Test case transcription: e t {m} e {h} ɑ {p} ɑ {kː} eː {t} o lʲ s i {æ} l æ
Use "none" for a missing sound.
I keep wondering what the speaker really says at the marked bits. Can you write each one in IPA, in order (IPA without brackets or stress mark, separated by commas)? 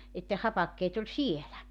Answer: n, h, p, kː, t, e